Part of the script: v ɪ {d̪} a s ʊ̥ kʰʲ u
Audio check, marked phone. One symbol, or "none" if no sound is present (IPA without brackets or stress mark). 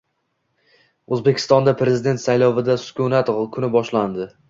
d̪